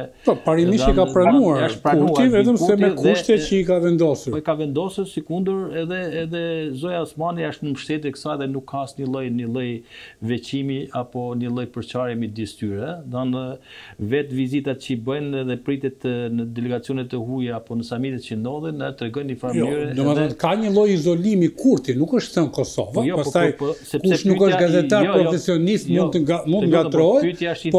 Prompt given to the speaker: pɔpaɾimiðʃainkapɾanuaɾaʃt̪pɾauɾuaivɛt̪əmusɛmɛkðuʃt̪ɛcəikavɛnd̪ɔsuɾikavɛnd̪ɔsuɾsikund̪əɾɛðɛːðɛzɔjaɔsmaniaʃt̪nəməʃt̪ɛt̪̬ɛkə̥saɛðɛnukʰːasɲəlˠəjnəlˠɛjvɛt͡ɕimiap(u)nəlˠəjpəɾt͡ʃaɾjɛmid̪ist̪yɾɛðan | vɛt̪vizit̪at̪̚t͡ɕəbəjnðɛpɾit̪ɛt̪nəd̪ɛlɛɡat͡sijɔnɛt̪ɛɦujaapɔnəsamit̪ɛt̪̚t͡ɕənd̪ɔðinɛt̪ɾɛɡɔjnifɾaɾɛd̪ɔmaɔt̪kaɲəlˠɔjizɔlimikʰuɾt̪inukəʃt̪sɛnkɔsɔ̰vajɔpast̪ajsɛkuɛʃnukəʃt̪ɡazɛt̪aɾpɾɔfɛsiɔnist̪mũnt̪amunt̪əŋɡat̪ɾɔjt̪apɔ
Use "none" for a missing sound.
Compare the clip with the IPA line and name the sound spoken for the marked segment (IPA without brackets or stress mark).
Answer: ɔ